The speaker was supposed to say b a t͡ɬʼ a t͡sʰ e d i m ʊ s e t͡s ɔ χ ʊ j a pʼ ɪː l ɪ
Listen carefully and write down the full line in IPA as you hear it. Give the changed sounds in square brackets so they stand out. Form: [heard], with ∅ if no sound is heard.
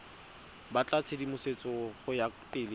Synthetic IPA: b a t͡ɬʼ a t͡sʰ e d i m ʊ s e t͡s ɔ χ ʊ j a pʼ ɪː l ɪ